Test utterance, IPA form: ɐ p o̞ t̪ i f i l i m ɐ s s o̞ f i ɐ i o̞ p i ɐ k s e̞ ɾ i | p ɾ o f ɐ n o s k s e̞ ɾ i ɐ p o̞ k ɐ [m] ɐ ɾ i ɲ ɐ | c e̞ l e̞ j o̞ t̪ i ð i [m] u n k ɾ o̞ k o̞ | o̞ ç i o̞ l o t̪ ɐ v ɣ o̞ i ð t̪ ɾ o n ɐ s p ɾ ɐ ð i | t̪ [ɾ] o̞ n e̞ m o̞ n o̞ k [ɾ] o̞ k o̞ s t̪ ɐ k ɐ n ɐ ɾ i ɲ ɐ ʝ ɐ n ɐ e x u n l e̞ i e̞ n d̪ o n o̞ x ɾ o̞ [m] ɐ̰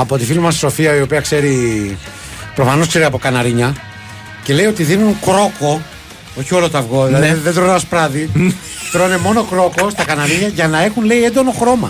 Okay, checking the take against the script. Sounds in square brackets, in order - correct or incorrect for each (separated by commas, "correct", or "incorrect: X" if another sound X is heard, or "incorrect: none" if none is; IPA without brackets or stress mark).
incorrect: n, incorrect: n, correct, correct, correct